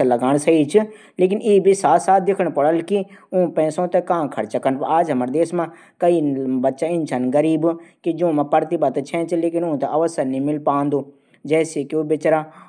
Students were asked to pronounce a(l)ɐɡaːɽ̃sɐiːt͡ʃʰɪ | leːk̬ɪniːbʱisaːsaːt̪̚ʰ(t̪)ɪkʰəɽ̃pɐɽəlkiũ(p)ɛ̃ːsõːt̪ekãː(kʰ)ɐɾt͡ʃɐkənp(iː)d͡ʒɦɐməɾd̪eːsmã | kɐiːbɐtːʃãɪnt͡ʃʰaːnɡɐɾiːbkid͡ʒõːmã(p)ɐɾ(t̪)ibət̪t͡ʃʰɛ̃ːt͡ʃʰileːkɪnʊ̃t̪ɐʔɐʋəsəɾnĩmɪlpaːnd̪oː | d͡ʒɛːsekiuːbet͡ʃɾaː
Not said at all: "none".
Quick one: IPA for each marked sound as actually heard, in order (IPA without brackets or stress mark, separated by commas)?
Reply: l, d̪, p, kʰ, aː, p, t̪